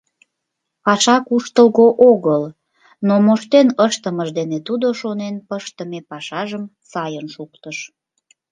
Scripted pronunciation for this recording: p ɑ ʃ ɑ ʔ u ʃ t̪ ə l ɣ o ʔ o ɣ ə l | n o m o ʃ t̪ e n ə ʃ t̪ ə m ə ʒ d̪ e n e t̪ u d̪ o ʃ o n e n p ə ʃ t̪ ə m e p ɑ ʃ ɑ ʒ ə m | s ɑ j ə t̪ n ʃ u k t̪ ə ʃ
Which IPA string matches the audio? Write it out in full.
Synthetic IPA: p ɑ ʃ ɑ k u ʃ t̪ ə l ɣ o ʔ o ɣ ə l | n o m o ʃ t̪ e n ə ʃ t̪ ə m ə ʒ d̪ e n e t̪ u d̪ o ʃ o n e n p ə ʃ t̪ ə m e p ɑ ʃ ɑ ʒ ə m | s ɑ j ə n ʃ u k t̪ ə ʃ